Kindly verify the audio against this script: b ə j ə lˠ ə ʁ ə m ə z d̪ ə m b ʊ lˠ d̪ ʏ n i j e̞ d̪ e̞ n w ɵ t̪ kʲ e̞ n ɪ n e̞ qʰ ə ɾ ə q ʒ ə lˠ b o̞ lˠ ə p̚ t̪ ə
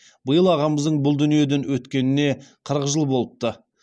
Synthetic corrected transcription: b ə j ə lˠ ɑ ʁ ɑ m ə z d̪ ə ɴ b ʊ lˠ d̪ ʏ n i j e̞ d̪ e̞ n w ɵ t̪ kʲ e̞ n ɪ n e̞ qʰ ə ɾ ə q ʒ ə lˠ b o̞ lˠ ə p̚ t̪ ə